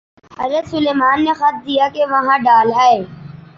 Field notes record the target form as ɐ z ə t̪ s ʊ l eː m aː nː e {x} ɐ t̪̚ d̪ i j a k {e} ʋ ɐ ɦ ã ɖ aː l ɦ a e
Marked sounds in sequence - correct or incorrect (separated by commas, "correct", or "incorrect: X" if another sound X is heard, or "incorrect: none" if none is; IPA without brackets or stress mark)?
correct, correct